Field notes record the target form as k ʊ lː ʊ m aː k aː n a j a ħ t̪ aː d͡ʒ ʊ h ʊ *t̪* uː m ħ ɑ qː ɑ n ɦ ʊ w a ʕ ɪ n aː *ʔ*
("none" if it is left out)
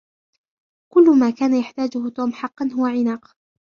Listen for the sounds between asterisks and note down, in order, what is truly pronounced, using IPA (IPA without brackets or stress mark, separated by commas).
t̪, q